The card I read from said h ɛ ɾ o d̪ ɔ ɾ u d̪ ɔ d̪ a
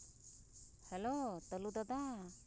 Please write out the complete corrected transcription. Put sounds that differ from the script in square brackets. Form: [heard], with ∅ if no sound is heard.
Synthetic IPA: h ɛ [l] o [t̪] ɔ [l] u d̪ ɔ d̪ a